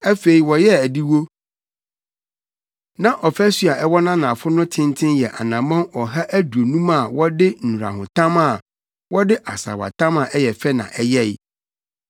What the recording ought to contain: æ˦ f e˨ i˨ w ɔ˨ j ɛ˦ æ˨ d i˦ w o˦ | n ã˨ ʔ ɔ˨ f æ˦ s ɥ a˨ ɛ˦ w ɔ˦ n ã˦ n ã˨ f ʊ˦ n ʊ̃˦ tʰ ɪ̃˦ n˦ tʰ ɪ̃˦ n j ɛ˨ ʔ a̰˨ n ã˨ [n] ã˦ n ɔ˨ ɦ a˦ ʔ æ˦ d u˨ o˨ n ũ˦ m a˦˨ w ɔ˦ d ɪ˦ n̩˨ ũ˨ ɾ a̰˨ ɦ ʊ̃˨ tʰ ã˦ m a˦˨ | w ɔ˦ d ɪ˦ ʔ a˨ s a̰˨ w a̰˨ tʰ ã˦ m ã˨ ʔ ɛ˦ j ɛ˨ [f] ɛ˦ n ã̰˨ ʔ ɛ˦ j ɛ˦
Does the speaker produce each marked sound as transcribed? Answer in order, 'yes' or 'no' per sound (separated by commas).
no, yes